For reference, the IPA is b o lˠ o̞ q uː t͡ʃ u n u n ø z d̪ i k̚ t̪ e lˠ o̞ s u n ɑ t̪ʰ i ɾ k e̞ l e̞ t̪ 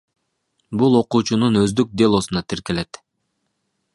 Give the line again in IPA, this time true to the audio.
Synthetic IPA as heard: b u lˠ o̞ q uː t͡ʃ u n u n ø z d̪ y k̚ d̪ e lˠ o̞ s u n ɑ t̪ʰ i ɾ k e̞ l e̞ t̪